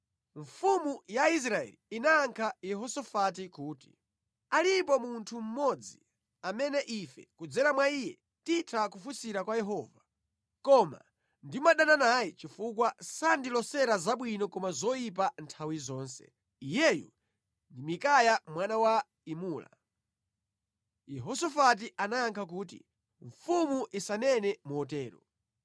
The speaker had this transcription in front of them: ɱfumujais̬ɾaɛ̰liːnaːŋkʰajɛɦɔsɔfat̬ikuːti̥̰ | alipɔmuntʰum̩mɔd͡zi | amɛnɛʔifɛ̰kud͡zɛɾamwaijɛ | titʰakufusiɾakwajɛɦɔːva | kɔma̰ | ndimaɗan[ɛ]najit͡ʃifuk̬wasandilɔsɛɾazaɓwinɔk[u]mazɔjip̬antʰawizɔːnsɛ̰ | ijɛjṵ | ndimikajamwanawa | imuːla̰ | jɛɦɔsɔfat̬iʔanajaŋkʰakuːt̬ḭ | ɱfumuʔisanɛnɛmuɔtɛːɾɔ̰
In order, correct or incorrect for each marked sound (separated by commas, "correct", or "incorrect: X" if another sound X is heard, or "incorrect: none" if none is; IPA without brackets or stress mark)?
incorrect: a, incorrect: ɔ